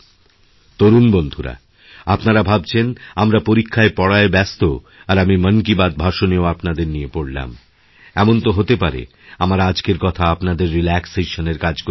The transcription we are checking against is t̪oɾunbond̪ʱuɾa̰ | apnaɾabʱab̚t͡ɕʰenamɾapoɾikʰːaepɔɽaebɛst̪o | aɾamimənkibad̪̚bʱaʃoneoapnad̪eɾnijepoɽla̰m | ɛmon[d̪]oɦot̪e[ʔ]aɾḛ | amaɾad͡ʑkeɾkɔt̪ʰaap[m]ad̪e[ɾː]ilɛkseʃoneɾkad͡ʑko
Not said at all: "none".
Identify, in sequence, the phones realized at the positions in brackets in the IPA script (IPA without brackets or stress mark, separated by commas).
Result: t̪, p, n, ɾː